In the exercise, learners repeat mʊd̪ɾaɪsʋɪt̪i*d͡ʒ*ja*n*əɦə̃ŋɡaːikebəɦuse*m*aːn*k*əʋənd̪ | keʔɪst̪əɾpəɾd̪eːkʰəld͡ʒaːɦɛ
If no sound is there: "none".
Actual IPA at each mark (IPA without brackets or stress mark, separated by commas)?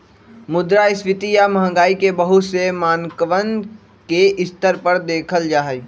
none, m, m, k